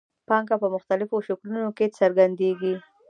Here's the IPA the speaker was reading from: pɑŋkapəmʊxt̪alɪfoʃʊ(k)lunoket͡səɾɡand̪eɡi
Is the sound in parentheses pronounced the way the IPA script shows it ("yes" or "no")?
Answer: yes